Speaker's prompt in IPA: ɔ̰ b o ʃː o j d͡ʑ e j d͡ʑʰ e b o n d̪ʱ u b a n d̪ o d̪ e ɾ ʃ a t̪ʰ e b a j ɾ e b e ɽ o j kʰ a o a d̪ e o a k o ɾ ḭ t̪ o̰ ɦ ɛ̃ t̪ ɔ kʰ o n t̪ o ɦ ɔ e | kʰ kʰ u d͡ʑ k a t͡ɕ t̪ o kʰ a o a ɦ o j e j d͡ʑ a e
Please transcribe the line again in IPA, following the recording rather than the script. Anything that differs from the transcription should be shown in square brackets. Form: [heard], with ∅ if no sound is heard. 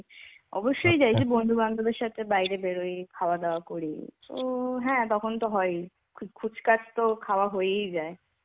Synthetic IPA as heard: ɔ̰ b o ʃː o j d͡ʑ [a] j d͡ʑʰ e b o n d̪ʱ u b a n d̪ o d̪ e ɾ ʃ a t̪ʰ e b a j ɾ e b e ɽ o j kʰ a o a d̪ e o a k o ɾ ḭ t̪ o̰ ɦ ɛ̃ t̪ ɔ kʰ o n t̪ o ɦ ɔ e | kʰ kʰ u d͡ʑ k a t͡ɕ t̪ o kʰ a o a ɦ o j e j d͡ʑ a e

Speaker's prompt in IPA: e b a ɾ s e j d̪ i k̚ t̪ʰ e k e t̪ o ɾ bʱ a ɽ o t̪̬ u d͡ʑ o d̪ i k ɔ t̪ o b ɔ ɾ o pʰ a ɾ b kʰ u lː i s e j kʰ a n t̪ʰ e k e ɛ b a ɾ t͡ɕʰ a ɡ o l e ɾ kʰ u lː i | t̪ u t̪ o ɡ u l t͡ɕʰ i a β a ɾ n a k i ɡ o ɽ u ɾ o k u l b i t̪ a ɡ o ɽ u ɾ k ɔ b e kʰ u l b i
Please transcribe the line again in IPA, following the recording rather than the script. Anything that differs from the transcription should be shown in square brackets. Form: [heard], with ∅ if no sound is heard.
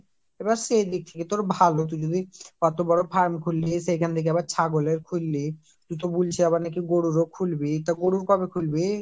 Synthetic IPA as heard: e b a ɾ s e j d̪ i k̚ t̪ʰ e k e t̪ o ɾ bʱ a [l] o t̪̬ u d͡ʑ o d̪ i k ɔ t̪ o b ɔ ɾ o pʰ a ɾ [m] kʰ u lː i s e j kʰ a n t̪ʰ e k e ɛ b a ɾ t͡ɕʰ a ɡ o l e ɾ kʰ u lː i | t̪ u t̪ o [b] u l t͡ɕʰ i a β a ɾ n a k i ɡ o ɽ u ɾ o [kʰ] u l b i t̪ a ɡ o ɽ u ɾ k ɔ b e kʰ u l b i

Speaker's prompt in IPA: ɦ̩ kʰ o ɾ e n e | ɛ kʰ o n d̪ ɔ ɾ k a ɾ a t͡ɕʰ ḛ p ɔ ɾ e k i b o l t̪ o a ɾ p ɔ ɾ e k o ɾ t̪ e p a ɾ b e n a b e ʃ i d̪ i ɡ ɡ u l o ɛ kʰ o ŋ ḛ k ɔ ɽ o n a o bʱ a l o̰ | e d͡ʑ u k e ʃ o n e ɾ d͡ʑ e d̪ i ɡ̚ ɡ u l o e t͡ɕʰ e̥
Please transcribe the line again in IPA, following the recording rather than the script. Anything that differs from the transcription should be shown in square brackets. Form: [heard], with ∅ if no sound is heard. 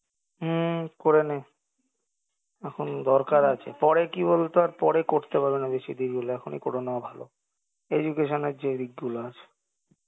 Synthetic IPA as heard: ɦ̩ [k] o ɾ e n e | ɛ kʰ o n d̪ ɔ ɾ k a ɾ a t͡ɕʰ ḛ p ɔ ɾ e k i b o l t̪ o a ɾ p ɔ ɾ e k o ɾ t̪ e p a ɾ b e n a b e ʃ i d̪ i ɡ ɡ u l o ɛ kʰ o [n] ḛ k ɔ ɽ o n a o bʱ a l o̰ | e d͡ʑ u k e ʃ o n e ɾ d͡ʑ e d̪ i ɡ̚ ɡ u l o [a] t͡ɕʰ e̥

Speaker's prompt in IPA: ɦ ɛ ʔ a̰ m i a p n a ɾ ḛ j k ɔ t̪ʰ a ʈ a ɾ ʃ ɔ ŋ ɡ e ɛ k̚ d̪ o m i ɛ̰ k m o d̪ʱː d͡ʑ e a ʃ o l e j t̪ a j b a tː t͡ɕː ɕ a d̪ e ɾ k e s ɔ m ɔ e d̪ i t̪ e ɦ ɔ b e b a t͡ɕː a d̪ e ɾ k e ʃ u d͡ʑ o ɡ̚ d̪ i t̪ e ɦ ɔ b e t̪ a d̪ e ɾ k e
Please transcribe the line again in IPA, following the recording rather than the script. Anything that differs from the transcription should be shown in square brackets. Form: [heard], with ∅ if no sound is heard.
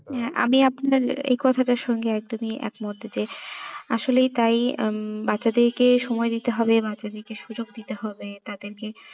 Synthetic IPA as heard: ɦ ɛ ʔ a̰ m i a p n a ɾ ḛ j k ɔ t̪ʰ a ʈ a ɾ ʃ ɔ ŋ ɡ e ɛ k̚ d̪ o m i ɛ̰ k m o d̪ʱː d͡ʑ e a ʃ o l e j t̪ a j b a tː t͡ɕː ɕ a d̪ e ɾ k e [ʃ] ɔ m ɔ e d̪ i t̪ e ɦ ɔ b e b a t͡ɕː a d̪ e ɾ k e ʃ u d͡ʑ o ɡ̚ d̪ i t̪ e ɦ ɔ b e t̪ a d̪ e ɾ k e

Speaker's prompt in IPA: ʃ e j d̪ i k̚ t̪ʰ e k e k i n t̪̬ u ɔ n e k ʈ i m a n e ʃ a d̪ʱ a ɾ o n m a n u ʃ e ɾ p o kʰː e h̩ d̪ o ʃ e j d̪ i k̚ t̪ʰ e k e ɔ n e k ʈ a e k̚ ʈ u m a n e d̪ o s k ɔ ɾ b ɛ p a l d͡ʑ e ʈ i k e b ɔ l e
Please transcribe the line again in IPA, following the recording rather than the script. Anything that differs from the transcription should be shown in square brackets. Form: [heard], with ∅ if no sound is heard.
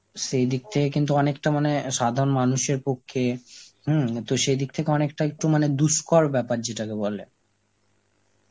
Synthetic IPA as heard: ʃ e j d̪ i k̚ t̪ʰ e k e k i n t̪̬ u ɔ n e k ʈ [a] m a n e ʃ a d̪ʱ a ɾ o n m a n u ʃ e ɾ p o kʰː e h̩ [t̪] o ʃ e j d̪ i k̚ t̪ʰ e k e ɔ n e k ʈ a e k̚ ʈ u m a n e d̪ [u] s k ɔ ɾ b ɛ p a [ɾ] d͡ʑ e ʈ [a] k e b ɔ l e

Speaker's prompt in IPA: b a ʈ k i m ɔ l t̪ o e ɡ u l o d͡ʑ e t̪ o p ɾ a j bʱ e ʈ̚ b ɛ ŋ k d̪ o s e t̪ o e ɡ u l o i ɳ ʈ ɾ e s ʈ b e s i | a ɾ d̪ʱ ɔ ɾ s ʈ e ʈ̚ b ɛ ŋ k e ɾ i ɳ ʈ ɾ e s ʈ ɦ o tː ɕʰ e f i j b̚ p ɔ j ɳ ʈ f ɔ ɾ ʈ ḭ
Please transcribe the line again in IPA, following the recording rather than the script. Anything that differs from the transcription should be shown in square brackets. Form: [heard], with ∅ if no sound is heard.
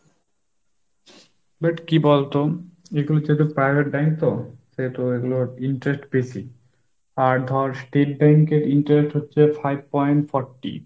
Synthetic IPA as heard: b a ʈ k i [b] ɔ l t̪ o e ɡ u l o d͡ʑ e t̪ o p ɾ a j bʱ e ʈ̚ b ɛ ŋ k [t̪] o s e t̪ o e ɡ u l o i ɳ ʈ ɾ e s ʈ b e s i | a ɾ d̪ʱ ɔ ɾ s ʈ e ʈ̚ b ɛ ŋ k e ɾ i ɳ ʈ ɾ e s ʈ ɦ o tː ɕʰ e f [a] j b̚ p ɔ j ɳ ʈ f ɔ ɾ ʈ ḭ

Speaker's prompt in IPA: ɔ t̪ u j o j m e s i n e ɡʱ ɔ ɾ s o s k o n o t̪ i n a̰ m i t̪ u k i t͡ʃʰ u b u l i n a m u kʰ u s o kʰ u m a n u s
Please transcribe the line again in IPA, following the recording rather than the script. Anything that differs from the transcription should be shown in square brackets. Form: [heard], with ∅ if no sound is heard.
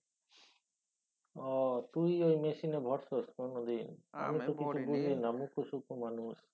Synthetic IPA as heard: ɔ t̪ u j o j m e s i n e [bʱ] ɔ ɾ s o s k o n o [d̪] i n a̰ m i t̪ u k i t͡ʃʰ u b u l i n a m u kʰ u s [u] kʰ u m a n u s

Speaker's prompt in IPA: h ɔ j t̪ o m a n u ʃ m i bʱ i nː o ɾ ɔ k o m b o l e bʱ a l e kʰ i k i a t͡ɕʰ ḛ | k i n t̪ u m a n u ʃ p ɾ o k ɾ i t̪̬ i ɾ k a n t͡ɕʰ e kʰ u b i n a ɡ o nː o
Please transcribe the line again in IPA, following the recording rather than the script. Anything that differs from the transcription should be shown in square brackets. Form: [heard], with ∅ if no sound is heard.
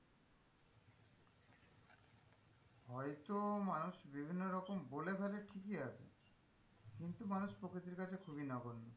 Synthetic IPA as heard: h ɔ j t̪ o m a n u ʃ [b] i bʱ i nː o ɾ ɔ k o m b o l e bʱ a l e [ʈʰ] i k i a t͡ɕʰ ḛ | k i n t̪ u m a n u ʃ p ɾ o k ɾ i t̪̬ i ɾ k a [∅] t͡ɕʰ e kʰ u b i n a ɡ o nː o

